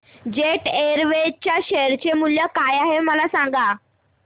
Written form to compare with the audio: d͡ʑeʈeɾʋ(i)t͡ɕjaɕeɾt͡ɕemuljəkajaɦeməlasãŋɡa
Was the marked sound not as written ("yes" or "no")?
yes